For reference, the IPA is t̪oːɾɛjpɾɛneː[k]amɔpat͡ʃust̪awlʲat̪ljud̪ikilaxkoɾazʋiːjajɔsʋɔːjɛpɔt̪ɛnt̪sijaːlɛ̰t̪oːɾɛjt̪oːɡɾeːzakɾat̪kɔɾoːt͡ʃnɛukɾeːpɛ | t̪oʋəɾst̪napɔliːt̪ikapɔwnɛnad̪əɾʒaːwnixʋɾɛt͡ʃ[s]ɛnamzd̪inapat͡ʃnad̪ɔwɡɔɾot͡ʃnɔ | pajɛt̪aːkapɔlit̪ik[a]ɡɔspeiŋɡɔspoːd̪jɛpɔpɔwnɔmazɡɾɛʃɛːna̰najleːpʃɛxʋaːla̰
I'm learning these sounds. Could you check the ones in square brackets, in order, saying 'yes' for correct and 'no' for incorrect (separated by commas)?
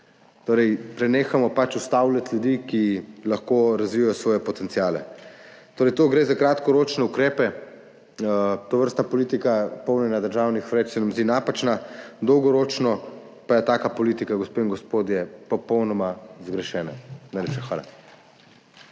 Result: no, yes, yes